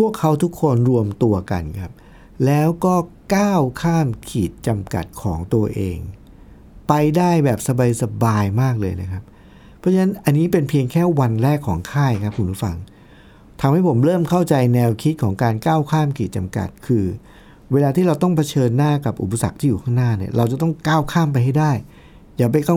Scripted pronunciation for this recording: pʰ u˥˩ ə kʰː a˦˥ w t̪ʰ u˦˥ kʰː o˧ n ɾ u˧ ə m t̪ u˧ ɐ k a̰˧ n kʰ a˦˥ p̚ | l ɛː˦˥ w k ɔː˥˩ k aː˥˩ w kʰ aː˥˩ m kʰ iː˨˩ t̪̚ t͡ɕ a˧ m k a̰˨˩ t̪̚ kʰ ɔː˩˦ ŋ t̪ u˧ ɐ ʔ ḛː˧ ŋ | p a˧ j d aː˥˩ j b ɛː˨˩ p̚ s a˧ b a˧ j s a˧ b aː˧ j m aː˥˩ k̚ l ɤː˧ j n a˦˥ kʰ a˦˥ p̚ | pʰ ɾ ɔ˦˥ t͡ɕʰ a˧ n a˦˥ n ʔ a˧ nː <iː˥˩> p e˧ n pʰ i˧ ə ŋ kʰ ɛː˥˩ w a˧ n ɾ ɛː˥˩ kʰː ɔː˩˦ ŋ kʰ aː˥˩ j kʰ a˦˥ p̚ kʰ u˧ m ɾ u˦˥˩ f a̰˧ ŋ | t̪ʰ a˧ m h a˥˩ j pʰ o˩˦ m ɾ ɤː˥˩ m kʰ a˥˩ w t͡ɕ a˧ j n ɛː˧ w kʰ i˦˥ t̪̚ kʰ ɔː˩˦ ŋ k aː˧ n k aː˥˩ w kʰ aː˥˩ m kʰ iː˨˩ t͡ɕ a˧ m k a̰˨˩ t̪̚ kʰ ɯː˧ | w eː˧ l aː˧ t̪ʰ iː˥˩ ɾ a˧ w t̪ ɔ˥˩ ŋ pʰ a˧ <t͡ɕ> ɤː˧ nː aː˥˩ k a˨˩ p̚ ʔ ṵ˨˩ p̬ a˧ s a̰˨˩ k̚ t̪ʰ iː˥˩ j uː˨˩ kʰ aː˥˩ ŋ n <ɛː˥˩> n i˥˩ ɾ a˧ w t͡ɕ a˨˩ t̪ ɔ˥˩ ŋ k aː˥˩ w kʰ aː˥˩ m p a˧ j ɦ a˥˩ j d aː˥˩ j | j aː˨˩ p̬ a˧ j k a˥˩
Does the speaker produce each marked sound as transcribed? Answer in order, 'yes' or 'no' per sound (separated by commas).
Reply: no, no, no